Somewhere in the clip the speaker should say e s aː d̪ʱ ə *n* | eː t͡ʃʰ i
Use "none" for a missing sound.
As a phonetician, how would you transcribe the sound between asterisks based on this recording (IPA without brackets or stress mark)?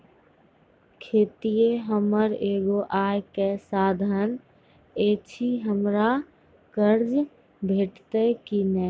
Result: n